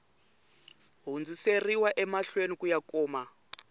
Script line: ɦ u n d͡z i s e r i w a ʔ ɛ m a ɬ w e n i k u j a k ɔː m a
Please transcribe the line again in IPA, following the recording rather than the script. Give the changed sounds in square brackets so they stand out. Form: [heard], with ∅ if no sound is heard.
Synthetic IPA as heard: ɦ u n d͡z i s e r i w a ʔ ɛ m a ɬ w e n i k u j a k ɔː m a